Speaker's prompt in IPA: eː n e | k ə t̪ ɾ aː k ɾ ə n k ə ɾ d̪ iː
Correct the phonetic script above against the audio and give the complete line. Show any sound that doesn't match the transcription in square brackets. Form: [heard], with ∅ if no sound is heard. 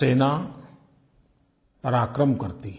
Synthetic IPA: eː n [a] | [p] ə [∅] ɾ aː k ɾ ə [m] k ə ɾ [t̪] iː